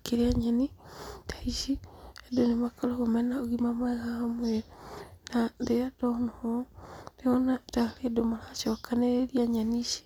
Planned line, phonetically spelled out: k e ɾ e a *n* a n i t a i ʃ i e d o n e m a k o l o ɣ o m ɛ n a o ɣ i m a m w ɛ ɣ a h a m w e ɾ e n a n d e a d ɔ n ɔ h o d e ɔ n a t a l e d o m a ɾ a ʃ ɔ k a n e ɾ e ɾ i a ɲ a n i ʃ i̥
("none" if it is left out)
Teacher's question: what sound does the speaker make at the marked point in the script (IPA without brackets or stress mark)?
ɲ